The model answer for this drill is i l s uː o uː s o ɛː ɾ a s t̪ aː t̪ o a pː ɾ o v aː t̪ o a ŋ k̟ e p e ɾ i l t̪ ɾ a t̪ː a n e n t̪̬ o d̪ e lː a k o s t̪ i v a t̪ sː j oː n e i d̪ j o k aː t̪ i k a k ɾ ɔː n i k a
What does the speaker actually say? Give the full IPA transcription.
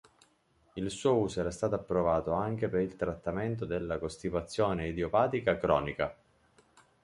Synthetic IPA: i l s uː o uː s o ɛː ɾ a s t̪ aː t̪ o a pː ɾ o v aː t̪ o a ŋ k̟ e p e ɾ i l t̪ ɾ a t̪ː a m e n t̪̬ o d̪ e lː a k o s t̪ i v a t̪ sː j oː n e i d̪ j o p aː t̪ i k a k ɾ ɔː n i k a

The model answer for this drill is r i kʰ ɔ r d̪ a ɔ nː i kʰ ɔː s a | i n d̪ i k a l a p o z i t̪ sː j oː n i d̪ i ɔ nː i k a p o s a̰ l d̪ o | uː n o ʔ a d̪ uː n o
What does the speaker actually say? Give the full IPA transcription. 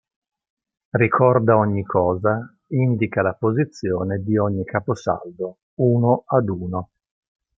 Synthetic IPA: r i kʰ ɔ r d̪ a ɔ ɲː i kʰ ɔː z a | i n d̪ i k a l a p o z i t̪ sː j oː n e d̪ i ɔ ɲː i k a p o s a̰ l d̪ o | uː n o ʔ a d̪ uː n o

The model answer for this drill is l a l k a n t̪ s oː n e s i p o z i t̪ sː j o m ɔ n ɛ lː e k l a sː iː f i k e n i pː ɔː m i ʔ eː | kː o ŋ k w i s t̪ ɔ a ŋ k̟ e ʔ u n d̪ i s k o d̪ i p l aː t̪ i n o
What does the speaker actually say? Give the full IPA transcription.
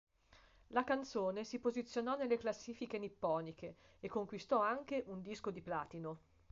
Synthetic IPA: l a k a n t̪ s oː n e s i p o z i t̪ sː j o n ɔ n e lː e k l a sː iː f i k e n i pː ɔː n i k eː | kː o ŋ k w i s t̪ ɔ a ŋ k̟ e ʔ u n d̪ i s k o d̪ i p l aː t̪ i n o

